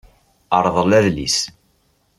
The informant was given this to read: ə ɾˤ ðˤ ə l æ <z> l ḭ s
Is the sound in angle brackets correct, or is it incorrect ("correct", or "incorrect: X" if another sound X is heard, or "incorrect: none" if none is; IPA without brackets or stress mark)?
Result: incorrect: ð